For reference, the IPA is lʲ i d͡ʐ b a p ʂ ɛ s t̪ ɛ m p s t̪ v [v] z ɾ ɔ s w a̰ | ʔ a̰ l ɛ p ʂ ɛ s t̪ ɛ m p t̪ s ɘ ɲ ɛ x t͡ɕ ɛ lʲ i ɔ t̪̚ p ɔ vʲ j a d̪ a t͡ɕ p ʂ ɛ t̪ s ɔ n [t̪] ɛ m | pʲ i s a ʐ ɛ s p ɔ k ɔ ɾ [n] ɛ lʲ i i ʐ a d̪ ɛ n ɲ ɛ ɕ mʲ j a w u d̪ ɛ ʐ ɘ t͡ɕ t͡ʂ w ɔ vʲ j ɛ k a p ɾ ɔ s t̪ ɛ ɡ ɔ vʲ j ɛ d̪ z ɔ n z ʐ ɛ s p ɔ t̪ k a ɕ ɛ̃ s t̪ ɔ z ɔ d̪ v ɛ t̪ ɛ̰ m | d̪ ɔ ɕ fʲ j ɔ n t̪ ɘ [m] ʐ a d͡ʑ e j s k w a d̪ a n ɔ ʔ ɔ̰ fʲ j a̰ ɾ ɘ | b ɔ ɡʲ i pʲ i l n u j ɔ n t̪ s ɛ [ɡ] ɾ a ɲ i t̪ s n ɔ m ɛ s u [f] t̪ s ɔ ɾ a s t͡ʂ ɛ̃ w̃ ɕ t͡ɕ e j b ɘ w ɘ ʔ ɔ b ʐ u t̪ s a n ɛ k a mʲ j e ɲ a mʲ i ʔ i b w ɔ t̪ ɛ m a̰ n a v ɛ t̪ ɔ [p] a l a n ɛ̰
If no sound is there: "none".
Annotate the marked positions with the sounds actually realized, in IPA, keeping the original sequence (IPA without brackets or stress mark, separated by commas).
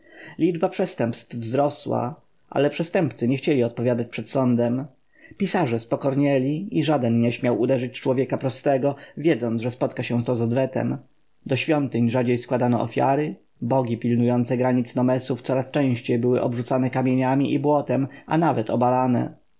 v, d̪, ɲ, ɲ, ɡ, f, b